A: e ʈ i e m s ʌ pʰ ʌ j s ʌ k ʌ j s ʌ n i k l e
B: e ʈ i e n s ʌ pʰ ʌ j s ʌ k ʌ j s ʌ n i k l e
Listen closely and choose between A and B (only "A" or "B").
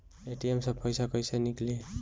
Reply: A